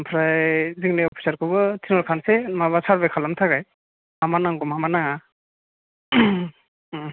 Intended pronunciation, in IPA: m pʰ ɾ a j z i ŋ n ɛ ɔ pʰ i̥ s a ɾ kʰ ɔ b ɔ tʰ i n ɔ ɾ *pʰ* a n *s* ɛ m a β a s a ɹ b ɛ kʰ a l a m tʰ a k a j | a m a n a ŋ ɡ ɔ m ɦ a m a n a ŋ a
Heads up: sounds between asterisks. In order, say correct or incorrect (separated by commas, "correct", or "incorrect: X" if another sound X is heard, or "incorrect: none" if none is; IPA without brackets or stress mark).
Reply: incorrect: kʰ, correct